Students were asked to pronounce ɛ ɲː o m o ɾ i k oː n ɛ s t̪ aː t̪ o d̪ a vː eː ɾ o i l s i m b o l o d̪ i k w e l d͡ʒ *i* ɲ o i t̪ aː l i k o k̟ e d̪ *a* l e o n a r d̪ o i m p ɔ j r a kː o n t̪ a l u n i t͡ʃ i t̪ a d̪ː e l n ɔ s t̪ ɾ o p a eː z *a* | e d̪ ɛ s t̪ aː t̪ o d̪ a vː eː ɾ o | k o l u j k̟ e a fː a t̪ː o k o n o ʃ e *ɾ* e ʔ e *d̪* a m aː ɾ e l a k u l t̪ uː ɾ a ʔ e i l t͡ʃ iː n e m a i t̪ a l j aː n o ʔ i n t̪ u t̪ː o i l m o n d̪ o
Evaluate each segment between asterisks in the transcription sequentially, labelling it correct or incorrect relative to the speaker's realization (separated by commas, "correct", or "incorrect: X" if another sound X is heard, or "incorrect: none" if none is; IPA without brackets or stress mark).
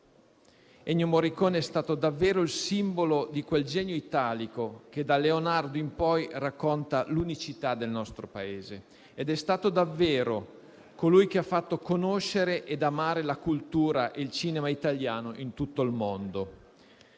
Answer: incorrect: ɛ, correct, incorrect: e, correct, correct